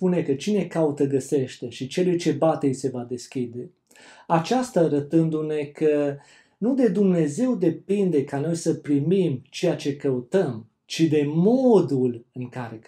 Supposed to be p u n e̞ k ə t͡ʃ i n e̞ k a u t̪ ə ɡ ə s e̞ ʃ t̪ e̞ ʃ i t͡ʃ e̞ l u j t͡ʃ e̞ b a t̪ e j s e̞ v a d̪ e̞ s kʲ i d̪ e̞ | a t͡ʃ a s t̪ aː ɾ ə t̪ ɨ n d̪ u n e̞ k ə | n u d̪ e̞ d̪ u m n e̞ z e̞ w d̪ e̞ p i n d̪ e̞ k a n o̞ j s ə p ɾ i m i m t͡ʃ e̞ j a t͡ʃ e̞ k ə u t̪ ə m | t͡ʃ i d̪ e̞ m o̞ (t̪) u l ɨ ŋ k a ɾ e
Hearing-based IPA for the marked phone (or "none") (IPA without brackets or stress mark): d̪